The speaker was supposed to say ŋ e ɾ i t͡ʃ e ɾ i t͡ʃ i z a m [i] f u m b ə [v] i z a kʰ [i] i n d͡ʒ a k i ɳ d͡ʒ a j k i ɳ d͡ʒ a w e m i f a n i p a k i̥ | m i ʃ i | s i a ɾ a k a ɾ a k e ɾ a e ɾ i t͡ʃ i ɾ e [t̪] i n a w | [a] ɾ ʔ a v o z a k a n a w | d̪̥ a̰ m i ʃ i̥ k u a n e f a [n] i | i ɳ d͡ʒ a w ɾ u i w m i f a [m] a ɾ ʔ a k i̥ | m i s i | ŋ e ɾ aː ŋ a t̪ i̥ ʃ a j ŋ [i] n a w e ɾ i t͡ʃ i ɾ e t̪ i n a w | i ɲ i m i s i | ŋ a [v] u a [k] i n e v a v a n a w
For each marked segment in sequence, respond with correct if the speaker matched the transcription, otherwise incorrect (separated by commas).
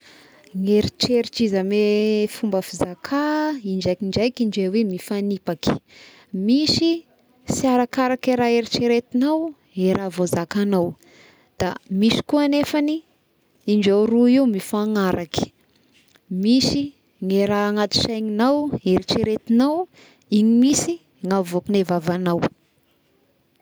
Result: incorrect, incorrect, incorrect, correct, incorrect, correct, incorrect, correct, correct, correct